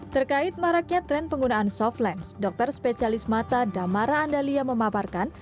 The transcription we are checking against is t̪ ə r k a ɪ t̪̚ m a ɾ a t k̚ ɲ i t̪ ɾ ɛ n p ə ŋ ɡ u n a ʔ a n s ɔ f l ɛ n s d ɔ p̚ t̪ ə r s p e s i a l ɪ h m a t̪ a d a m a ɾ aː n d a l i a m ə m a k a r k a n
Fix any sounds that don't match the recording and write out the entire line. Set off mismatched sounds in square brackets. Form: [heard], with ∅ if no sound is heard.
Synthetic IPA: t̪ ə r k a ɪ t̪̚ m a ɾ a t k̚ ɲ [a] t̪ ɾ ɛ n p ə ŋ ɡ u n a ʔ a n s ɔ f l ɛ n s d ɔ [k̚] t̪ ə r s p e s i a l ɪ [s] m a t̪ a d a m a ɾ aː n d a l i a m ə m a [p] a r k a n